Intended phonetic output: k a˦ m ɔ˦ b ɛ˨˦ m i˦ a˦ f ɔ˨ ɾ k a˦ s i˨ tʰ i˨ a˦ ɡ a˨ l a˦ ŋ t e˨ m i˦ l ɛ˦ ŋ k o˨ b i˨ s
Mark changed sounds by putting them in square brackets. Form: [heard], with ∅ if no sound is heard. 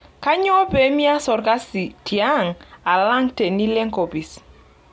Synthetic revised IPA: k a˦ [ɲ] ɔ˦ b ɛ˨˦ m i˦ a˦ [s] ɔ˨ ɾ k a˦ s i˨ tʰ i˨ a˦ [ŋ] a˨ l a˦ ŋ t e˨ [n] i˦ l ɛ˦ ŋ k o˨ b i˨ s